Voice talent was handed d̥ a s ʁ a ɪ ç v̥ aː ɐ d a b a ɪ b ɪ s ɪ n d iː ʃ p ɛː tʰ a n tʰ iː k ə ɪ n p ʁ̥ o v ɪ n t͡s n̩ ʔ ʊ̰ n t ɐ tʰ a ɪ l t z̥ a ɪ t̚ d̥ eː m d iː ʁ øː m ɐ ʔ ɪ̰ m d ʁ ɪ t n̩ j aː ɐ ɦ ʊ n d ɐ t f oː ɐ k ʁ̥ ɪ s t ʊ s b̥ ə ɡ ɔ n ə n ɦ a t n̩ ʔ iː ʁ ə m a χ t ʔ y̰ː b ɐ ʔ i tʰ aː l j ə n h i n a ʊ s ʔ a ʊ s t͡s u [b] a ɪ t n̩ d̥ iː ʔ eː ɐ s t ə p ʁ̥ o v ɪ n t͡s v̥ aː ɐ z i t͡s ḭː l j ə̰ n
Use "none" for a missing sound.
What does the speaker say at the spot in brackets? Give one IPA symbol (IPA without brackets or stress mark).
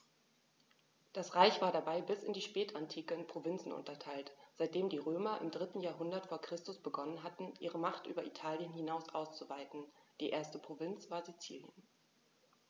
v